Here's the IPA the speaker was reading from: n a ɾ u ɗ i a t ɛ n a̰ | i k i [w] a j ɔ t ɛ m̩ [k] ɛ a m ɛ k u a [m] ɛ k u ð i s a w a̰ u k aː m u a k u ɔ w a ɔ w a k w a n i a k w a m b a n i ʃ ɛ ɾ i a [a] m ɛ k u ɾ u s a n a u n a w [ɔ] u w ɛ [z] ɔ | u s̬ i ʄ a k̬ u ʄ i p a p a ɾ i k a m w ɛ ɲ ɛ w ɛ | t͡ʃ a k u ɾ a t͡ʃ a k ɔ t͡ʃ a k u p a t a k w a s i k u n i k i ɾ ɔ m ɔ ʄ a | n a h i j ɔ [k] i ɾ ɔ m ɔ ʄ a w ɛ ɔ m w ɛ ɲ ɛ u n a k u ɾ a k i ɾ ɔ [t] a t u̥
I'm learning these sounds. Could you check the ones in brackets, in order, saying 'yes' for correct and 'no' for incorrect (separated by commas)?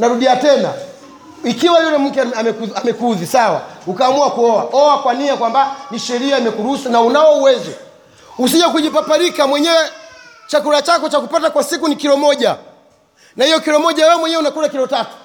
yes, yes, yes, no, yes, yes, yes, yes